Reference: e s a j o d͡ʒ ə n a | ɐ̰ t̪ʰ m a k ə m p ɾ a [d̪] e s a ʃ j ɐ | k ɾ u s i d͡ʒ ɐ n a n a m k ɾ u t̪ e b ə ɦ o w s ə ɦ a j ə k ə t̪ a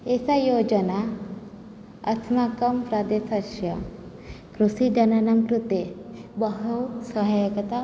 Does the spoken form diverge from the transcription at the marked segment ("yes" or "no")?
no